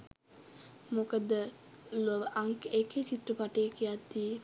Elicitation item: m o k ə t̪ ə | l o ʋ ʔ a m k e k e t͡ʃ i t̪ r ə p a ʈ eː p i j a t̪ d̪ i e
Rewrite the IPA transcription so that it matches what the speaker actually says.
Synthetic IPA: m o k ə d̪ ə | l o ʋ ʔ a ŋ k e k e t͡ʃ i t̪ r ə p a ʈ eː k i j a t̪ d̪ i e